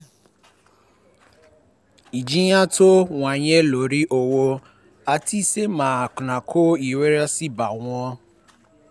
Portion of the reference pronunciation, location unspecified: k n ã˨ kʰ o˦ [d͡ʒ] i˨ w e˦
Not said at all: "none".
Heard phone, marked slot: none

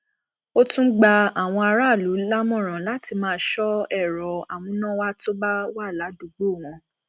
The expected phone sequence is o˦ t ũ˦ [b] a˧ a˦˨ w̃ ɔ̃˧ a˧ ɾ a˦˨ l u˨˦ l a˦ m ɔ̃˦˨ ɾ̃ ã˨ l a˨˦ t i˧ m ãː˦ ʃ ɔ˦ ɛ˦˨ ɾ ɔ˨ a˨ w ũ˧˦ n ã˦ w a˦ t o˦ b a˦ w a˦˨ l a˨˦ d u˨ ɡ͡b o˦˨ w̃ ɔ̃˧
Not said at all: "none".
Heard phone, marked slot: ɡ͡b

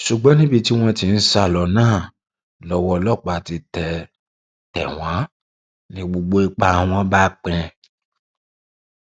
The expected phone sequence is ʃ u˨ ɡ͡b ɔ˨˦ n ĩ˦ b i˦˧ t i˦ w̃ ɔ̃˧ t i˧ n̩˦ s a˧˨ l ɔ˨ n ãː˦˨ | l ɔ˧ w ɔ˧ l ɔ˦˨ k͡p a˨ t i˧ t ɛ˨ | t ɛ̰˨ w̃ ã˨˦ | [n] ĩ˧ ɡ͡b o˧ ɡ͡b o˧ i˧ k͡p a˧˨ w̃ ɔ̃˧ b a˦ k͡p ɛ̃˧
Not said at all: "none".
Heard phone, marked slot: n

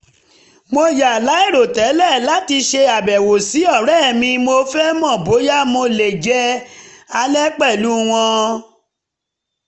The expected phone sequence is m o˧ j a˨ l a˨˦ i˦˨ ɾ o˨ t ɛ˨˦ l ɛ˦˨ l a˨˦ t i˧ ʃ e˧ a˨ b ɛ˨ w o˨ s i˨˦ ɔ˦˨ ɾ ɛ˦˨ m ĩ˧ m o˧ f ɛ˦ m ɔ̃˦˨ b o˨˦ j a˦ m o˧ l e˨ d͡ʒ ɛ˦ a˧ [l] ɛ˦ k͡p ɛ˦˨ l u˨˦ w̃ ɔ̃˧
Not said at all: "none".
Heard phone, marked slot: l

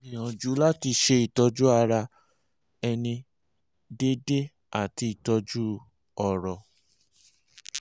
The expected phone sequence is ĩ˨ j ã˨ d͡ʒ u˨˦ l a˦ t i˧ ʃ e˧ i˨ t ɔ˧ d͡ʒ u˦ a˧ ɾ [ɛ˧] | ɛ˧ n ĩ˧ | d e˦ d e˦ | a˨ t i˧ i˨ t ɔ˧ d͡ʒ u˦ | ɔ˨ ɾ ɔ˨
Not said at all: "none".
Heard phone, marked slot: a˧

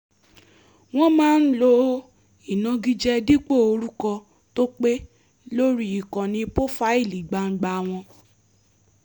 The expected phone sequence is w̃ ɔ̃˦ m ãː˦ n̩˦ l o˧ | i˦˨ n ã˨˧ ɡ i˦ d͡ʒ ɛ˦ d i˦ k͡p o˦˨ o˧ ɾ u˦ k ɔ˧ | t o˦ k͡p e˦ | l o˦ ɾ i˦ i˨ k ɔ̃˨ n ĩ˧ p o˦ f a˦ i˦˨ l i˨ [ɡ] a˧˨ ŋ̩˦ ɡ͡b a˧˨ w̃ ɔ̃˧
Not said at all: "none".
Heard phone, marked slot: ɡ͡b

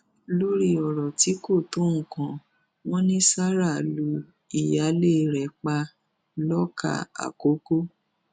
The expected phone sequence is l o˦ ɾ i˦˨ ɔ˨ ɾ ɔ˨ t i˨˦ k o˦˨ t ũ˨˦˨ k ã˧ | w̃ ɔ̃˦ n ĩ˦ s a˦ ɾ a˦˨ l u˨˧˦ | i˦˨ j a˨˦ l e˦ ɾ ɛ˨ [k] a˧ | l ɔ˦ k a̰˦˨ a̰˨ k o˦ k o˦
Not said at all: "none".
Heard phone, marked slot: k͡p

